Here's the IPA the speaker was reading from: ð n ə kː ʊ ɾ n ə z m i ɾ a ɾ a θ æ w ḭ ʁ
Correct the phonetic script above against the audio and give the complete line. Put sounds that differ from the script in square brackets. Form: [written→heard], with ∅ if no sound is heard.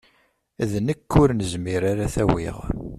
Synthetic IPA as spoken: ð n ə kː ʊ ɾ n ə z m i ɾ a ɾ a θ æ w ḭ ʁ